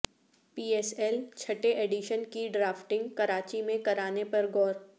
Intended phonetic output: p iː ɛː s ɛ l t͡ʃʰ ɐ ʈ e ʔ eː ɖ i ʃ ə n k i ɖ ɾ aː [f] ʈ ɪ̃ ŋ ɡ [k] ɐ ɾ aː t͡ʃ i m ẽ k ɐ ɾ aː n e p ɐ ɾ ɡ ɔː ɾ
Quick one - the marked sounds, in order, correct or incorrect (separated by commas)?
correct, correct